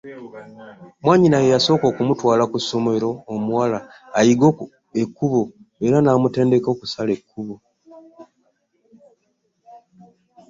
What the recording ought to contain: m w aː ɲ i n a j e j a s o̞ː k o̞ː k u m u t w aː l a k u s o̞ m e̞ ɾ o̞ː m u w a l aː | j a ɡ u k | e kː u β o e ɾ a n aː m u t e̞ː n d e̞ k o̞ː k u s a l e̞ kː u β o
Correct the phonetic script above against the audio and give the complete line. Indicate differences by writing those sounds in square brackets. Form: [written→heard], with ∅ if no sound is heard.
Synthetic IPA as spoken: m w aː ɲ i n a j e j a s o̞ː k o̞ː k u m u t w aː l a k u s o̞ m e̞ ɾ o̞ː m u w a l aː | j [a→i] ɡ [u→o] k | e kː u β o e ɾ a n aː m u t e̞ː n d e̞ k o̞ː k u s a l e̞ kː u β o

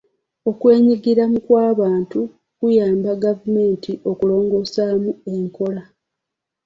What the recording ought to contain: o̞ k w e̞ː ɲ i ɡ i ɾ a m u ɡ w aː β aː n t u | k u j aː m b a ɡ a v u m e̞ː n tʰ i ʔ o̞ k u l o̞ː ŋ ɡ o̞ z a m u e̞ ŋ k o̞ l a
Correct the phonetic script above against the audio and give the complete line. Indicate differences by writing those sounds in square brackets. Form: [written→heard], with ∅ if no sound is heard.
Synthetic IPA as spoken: o̞ k w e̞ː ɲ i ɡ i ɾ a m u [ɡ→k] w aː β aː n t u | k u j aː m b a ɡ a v u m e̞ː n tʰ i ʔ o̞ k u l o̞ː ŋ ɡ o̞ [z→s] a m u e̞ ŋ k o̞ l a

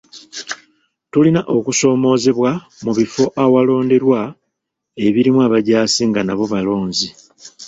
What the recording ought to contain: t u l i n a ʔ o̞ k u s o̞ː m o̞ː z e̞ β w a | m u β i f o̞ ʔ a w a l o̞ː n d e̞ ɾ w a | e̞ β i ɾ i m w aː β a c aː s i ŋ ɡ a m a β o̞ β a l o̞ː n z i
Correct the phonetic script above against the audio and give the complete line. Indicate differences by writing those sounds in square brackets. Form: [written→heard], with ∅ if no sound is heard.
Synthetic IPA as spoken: t u l i n a ʔ o̞ k u s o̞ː m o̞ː z e̞ β w a | m u β i f o̞ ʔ a w a l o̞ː n d e̞ ɾ w a | e̞ β i ɾ i m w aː β a [c→ɟ] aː s i ŋ ɡ a [m→n] a β o̞ β a l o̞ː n z i

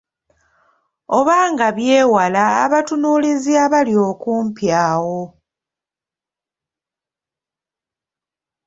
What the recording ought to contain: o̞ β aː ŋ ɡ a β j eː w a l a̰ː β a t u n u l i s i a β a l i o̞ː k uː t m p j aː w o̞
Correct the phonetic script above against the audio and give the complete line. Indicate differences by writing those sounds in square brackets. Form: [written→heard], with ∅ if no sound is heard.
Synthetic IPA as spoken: o̞ β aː ŋ ɡ a β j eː w a l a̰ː β a t u n u l i [s→z] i a β a l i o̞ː k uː [t→∅] m p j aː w o̞

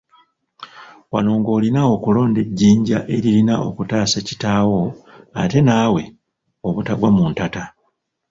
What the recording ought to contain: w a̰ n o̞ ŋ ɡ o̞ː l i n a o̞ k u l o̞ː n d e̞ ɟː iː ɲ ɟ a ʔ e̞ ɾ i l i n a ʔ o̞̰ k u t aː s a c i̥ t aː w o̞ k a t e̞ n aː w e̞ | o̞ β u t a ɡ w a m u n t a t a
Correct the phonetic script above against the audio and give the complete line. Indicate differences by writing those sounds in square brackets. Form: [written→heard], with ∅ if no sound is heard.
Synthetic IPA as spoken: w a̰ n o̞ ŋ ɡ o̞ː l i n a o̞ k u l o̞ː n d e̞ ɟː iː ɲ ɟ a ʔ e̞ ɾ i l i n a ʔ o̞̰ k u t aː s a c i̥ t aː w o̞ [k→∅] a t e̞ n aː w e̞ | o̞ β u t a ɡ w a m u n t a t a

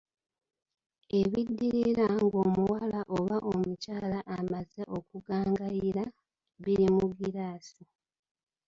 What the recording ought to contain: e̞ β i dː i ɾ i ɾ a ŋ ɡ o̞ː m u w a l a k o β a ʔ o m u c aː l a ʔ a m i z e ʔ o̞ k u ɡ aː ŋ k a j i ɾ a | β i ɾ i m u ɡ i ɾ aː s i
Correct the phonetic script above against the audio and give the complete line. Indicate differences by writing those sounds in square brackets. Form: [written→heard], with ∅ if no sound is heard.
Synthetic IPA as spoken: e̞ β i dː i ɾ i ɾ a ŋ ɡ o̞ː m u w a l a [k→ʔ] o β a ʔ o m u c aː l a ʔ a m [i→a] z e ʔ o̞ k u ɡ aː ŋ [k→ɡ] a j i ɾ a | β i ɾ i m u ɡ i ɾ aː s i

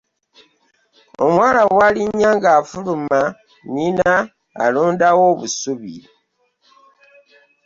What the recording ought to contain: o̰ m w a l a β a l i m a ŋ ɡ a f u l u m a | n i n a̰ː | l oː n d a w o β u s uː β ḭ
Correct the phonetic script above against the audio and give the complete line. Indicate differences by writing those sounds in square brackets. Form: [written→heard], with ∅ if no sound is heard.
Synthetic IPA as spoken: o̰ m w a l a [β→w] a l i [m→ɲ] a ŋ ɡ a f u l u m a | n i n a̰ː | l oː n d a w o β u s [uː→u] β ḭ

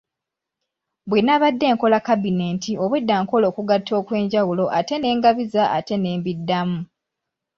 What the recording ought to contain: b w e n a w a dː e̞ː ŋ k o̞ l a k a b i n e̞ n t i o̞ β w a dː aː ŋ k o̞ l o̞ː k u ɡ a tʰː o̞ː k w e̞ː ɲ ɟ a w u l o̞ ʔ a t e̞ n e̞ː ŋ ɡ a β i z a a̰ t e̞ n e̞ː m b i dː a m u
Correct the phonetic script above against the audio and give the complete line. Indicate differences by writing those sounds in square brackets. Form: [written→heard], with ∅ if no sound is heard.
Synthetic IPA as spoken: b w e n a [w→β] a dː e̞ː ŋ k o̞ l a k a b i n e̞ n t i o̞ β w [a→e] dː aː ŋ k o̞ l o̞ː k u ɡ a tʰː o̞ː k w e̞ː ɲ ɟ a w u l o̞ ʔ a t e̞ n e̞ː ŋ ɡ a β i z a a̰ t e̞ n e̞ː m b i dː a m u

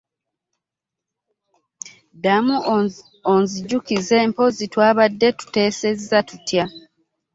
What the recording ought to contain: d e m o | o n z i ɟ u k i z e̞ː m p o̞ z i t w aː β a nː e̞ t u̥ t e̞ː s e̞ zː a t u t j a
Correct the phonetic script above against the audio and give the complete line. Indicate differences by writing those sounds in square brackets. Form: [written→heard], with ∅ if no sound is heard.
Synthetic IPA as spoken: d [e→a] m [o→u] | o n z i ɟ u k i z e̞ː m p o̞ z i t w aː β a [nː→dː] e̞ t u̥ t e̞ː s e̞ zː a t u t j a

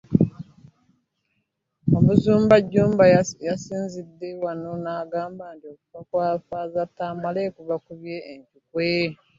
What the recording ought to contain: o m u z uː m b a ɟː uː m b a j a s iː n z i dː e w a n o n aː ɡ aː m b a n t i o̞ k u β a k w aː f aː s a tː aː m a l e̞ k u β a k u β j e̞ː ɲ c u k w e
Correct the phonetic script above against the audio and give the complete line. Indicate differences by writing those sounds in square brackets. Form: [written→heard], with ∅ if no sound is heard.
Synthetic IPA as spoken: o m u z uː m b a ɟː uː m b a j a s iː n z i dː e w a n o n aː ɡ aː m b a n t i o̞ k u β a k w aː f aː [s→z] a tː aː m a l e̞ k u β a k u β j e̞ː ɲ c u k w e

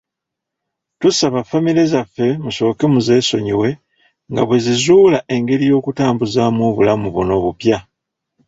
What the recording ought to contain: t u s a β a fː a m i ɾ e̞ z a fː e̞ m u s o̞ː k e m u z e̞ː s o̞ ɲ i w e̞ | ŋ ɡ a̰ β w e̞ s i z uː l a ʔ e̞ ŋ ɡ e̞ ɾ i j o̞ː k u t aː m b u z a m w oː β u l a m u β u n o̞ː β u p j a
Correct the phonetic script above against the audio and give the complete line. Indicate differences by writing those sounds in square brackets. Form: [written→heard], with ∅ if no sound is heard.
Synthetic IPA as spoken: t u s a β a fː a m i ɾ e̞ z a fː e̞ m u s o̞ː k e m u z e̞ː s o̞ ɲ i w e̞ | ŋ ɡ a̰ β w e̞ [s→z] i z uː l a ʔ e̞ ŋ ɡ e̞ ɾ i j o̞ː k u t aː m b u z a m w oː β u l a m u β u n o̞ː β u p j a

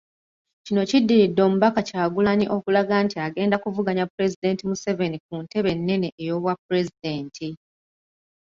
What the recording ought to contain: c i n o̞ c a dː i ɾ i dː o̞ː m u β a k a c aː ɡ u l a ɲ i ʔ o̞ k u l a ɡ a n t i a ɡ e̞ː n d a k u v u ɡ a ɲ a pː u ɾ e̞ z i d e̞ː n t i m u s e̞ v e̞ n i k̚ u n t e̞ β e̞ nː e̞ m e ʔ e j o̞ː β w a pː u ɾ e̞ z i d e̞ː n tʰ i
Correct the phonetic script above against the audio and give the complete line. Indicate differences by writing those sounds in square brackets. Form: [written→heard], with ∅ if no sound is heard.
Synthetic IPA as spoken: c i n o̞ c [a→i] dː i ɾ i dː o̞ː m u β a k a c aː ɡ u l a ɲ i ʔ o̞ k u l a ɡ a n t i a ɡ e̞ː n d a k u v u ɡ a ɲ a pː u ɾ e̞ z i d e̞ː n t i m u s e̞ v e̞ n i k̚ u n t e̞ β e̞ nː e̞ [m→n] e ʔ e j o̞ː β w a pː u ɾ e̞ z i d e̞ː n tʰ i

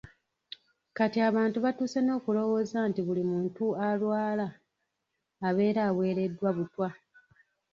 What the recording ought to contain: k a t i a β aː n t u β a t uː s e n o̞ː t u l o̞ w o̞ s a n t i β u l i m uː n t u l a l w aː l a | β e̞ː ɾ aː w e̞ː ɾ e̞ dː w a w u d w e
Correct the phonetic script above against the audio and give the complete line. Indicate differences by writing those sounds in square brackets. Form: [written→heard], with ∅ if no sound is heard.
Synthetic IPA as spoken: k a t i a β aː n t u β a t uː s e n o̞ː [t→k] u l o̞ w o̞ [s→z] a n t i β u l i m uː n t u [l→∅] a l w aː l a | β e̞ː ɾ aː w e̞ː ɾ e̞ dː w a [w→β] u [d→t] w [e→a]

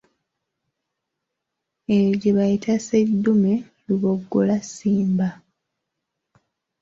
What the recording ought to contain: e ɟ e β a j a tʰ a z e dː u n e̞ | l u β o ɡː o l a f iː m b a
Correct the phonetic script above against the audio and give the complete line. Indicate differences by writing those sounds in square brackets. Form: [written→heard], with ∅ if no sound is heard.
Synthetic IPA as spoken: e ɟ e β a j [a→i] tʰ a [z→s] e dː u [n→m] e̞ | l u β o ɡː o l a [f→s] iː m b a

